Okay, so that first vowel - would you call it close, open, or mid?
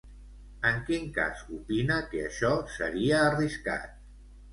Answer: mid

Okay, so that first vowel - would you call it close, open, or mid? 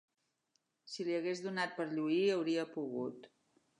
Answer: close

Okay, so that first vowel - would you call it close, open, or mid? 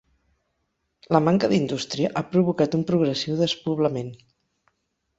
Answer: mid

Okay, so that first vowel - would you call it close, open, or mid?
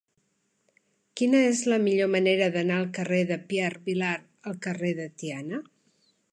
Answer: close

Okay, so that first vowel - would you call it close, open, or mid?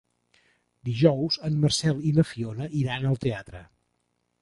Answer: close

